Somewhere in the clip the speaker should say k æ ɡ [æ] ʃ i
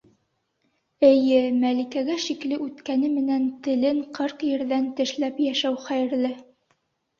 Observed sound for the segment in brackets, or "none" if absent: æ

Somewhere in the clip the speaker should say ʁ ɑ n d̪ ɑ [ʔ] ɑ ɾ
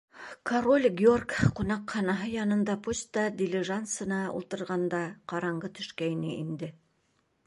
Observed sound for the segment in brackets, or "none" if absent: q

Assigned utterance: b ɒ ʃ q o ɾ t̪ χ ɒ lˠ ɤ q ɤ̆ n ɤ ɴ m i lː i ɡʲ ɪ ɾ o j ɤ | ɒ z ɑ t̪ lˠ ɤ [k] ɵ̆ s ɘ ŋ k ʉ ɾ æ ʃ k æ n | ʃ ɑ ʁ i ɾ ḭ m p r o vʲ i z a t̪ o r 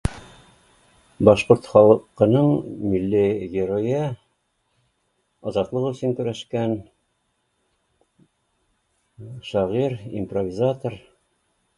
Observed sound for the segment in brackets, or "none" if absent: q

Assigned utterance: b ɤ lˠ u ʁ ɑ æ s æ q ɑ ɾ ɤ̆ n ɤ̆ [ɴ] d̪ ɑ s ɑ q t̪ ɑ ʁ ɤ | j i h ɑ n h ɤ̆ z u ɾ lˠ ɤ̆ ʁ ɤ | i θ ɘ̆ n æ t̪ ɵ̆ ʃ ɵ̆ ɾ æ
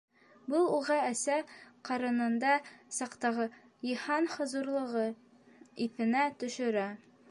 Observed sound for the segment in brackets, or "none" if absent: n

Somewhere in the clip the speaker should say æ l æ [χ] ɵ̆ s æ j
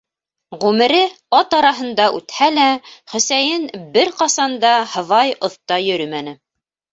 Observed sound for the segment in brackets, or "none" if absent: χ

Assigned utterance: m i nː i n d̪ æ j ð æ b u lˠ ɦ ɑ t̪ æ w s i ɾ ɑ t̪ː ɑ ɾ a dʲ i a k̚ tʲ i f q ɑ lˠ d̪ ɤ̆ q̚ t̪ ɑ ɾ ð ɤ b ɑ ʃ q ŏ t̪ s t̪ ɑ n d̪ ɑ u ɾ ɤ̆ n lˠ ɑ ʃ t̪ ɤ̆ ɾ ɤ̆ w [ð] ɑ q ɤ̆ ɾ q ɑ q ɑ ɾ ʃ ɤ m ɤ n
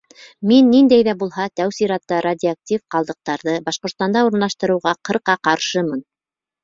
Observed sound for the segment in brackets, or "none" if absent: ʁ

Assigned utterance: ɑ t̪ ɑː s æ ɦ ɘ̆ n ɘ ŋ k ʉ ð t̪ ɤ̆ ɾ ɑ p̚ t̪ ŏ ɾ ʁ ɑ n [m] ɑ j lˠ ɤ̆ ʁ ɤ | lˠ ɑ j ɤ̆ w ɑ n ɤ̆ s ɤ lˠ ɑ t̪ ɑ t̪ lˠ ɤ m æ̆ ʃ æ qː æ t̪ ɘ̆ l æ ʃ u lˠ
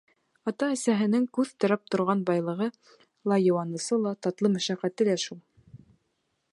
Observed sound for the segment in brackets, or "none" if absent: b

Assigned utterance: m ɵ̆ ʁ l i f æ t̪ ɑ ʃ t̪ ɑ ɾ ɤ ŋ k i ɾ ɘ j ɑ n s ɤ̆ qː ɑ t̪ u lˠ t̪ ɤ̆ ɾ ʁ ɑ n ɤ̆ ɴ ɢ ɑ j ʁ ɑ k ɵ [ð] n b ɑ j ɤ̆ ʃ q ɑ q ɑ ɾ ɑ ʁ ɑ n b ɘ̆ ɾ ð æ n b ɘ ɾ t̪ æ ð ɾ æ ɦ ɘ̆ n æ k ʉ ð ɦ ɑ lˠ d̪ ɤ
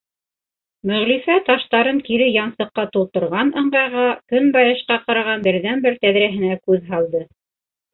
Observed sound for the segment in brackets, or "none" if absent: none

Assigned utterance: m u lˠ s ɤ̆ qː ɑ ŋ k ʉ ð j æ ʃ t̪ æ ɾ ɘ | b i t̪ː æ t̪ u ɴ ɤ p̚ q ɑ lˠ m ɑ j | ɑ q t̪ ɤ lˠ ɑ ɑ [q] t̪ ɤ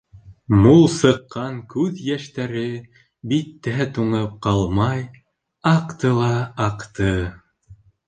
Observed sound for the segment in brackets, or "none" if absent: q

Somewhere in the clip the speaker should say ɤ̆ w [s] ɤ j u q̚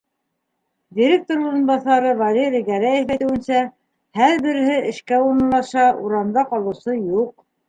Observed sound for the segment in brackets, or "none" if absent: s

